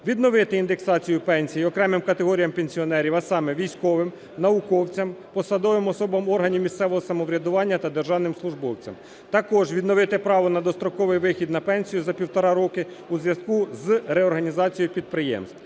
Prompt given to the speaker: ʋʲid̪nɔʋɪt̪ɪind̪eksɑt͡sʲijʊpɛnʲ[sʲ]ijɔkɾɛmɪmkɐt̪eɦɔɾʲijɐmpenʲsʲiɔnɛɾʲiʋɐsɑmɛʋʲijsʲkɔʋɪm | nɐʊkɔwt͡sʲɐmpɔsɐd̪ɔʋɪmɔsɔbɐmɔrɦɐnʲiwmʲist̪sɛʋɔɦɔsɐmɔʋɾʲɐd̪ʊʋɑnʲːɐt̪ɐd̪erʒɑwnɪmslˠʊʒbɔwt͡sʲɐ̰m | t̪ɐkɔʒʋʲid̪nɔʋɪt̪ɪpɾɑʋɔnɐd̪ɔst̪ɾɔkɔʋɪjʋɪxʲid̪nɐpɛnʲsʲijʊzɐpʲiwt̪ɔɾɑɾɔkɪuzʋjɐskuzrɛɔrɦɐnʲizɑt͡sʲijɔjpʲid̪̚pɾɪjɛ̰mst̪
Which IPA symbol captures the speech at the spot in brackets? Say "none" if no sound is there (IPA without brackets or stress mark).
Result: sʲ